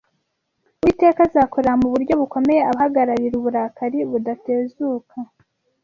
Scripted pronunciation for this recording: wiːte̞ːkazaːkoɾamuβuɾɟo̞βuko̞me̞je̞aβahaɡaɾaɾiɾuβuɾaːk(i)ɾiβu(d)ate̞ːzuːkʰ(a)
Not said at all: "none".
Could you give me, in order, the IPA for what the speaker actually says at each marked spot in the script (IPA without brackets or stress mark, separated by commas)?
a, d, a